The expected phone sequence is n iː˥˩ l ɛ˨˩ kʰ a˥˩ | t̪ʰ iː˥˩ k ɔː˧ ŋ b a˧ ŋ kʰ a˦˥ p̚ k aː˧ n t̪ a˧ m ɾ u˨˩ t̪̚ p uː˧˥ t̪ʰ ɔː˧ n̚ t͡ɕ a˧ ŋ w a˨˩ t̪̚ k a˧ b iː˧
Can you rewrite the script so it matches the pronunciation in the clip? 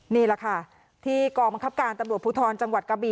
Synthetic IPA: n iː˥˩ l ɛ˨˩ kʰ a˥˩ | t̪ʰ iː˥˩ k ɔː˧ ŋ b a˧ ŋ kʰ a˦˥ p̚ k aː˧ n t̪ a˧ m ɾ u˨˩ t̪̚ p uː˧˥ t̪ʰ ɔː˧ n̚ t͡ɕ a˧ ŋ w a˨˩ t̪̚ k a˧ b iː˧